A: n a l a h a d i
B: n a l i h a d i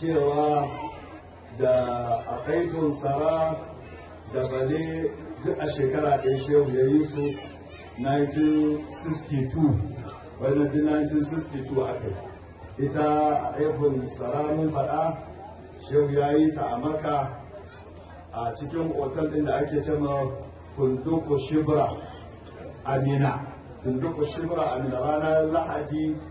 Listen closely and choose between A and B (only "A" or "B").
A